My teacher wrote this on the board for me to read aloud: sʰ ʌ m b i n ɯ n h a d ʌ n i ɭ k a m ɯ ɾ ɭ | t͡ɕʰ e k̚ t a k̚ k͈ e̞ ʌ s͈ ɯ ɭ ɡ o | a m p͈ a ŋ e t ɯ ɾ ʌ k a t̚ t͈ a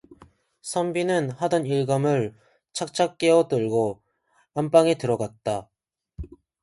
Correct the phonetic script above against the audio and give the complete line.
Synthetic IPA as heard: sʰ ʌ m b i n ɯ n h a d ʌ n i ɭ ɡ a m ɯ ɭ | t͡ɕʰ a k̚ t͡ɕʰ a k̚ k͈ e̞ ʌ t͈ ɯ ɭ ɡ o | a m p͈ a ŋ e t ɯ ɾ ʌ ɡ a t̚ t͈ a